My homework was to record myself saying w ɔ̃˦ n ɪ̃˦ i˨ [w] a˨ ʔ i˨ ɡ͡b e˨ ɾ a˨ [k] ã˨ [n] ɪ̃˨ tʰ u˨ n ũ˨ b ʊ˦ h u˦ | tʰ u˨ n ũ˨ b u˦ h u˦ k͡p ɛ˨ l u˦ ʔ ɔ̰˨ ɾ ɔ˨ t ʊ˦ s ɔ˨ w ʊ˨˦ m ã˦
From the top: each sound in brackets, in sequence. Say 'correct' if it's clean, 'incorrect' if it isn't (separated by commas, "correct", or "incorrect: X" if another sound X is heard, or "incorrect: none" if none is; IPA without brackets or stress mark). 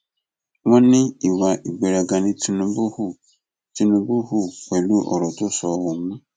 correct, incorrect: ɡ, correct